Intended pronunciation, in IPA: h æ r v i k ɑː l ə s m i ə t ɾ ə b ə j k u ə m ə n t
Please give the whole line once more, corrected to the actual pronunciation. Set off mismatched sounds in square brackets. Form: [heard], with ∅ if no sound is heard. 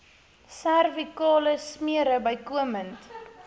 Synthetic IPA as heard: [s] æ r v i k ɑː l ə s m i ə [∅] ɾ ə b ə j k u ə m ə n t